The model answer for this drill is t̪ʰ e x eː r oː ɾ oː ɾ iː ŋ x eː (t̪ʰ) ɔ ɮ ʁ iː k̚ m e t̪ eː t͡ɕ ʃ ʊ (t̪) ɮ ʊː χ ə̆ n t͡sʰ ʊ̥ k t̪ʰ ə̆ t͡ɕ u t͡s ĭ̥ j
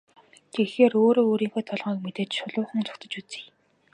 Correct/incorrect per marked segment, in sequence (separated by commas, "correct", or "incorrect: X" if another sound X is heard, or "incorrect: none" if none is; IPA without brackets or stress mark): correct, incorrect: none